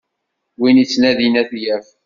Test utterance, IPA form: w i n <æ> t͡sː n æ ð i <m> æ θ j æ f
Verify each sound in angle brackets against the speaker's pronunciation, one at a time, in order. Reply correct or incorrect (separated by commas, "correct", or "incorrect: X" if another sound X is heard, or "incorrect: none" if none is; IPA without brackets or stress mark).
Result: incorrect: i, incorrect: n